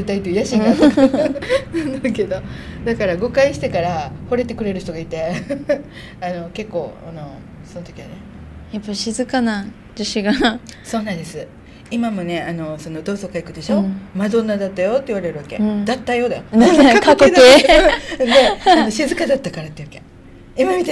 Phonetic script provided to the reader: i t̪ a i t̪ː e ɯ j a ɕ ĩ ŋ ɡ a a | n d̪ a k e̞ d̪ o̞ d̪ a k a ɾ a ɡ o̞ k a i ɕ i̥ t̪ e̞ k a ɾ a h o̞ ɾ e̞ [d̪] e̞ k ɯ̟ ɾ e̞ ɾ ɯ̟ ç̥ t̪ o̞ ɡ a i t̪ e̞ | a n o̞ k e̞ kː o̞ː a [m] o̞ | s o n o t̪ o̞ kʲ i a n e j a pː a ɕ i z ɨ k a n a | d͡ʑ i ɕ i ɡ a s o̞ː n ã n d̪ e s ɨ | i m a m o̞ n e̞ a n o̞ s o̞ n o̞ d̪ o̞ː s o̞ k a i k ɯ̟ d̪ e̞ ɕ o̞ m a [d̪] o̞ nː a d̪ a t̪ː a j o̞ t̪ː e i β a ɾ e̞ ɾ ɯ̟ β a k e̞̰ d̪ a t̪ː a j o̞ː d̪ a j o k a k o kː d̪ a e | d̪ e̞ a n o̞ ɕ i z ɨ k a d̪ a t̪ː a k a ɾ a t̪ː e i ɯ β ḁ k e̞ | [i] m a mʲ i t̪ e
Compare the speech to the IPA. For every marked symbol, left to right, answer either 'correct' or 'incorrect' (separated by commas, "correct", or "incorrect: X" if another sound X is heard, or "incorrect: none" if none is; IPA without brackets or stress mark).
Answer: incorrect: t̪, incorrect: n, correct, correct